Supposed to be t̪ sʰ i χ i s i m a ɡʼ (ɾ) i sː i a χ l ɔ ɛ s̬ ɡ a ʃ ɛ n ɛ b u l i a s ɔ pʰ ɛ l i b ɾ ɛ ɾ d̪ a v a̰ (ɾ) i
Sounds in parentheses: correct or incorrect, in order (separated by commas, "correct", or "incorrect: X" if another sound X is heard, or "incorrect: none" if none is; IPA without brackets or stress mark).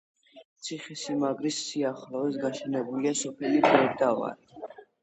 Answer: correct, correct